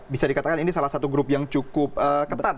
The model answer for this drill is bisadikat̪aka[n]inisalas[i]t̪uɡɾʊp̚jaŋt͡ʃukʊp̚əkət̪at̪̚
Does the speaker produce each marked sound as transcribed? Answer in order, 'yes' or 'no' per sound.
yes, no

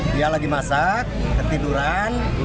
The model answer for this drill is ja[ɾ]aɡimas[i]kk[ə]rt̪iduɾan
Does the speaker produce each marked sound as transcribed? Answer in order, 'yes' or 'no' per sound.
no, no, yes

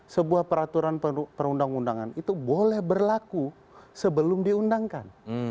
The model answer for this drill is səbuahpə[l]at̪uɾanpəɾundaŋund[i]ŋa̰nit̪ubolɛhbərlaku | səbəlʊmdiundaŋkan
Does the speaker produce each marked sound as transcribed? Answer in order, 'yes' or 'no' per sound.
no, no

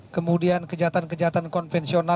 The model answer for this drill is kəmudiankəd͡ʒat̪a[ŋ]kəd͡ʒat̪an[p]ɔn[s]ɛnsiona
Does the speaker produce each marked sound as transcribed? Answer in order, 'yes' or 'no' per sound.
no, no, no

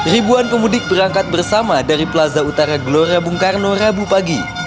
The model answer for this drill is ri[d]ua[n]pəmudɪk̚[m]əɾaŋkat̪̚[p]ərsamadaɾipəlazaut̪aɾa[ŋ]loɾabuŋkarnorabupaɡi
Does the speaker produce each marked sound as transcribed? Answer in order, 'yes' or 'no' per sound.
no, yes, no, no, no

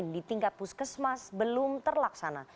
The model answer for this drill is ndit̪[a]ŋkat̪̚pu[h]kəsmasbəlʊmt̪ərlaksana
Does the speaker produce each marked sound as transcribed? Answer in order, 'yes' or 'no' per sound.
no, no

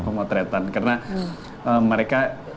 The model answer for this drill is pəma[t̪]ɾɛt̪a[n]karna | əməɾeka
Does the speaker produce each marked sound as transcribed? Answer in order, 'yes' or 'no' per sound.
yes, yes

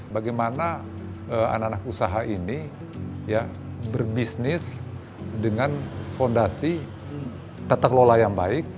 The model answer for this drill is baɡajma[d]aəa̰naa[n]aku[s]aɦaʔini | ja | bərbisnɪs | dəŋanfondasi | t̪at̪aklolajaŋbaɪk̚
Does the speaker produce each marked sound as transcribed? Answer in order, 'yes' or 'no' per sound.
no, yes, yes

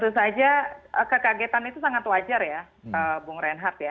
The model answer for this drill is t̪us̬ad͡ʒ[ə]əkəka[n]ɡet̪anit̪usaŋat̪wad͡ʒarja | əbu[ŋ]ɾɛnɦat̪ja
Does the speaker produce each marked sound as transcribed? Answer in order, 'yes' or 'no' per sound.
no, no, yes

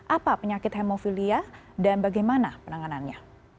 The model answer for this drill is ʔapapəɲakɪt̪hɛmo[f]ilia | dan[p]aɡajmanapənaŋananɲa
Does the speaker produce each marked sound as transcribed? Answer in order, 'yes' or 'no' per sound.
yes, no

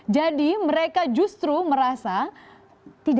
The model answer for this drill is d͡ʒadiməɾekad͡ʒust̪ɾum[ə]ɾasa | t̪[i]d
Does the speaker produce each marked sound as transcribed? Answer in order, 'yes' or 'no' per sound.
yes, yes

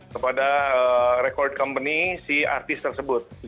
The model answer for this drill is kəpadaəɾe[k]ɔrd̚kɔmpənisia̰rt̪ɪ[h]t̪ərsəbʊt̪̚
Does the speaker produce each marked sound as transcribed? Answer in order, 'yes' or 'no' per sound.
yes, no

